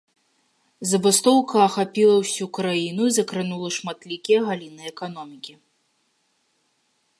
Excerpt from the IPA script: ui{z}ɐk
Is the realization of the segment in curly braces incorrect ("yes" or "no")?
no